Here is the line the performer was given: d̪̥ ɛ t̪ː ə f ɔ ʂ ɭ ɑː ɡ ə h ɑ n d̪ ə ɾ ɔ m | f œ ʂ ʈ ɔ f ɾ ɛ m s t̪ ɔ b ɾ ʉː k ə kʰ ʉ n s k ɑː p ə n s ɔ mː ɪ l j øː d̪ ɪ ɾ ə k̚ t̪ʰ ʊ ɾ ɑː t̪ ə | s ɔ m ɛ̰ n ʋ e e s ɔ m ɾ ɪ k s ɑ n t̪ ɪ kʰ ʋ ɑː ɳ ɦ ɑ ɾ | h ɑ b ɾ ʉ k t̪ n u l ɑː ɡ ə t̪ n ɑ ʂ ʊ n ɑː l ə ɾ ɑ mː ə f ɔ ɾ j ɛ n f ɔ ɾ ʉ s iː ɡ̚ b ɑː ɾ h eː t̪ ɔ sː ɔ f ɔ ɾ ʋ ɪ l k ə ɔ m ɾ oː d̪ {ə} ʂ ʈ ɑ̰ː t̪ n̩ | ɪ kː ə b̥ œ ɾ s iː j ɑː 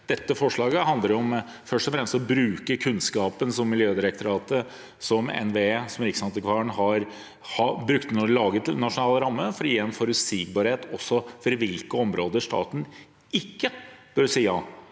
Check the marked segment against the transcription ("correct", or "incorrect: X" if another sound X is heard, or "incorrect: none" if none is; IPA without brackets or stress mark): correct